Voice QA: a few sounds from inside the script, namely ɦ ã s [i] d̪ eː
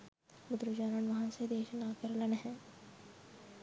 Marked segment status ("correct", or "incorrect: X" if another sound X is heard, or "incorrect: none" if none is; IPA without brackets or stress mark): incorrect: e